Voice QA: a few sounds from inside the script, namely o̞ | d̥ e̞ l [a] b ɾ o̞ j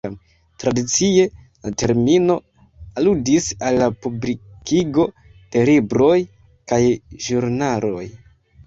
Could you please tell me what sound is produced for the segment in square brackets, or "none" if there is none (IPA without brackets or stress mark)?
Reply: i